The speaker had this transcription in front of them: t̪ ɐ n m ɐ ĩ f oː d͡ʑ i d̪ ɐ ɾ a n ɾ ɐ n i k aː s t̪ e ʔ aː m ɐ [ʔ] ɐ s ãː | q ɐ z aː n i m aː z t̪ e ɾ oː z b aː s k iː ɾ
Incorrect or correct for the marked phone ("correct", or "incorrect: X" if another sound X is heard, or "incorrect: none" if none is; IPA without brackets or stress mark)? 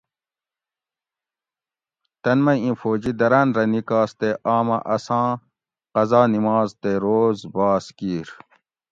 correct